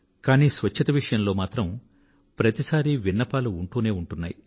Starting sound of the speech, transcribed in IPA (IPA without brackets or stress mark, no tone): k